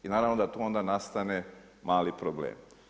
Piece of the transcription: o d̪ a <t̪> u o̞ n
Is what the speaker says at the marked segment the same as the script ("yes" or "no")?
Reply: yes